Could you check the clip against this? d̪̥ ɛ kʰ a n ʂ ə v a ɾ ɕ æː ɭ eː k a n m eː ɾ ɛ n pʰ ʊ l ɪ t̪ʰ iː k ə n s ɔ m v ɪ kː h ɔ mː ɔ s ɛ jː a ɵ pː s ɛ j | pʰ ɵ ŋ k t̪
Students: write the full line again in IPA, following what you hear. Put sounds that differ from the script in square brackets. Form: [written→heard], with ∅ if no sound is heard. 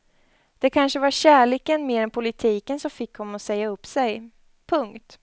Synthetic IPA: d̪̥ ɛ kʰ a n ʂ ə v a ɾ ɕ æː ɭ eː k [a→ə] n m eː ɾ ɛ n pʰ ʊ l ɪ t̪ʰ iː k ə n s ɔ m [v→f] ɪ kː h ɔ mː ɔ s ɛ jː a ɵ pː s ɛ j | pʰ ɵ ŋ k t̪